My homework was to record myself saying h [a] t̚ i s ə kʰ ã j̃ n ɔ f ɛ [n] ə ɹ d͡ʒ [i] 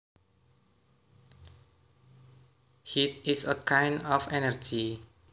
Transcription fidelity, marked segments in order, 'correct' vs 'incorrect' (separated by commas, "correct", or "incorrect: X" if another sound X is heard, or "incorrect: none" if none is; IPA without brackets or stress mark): incorrect: i, correct, correct